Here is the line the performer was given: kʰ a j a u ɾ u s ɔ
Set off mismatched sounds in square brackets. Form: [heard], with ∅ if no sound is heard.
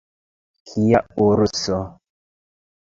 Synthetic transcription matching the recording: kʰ [i] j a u ɾ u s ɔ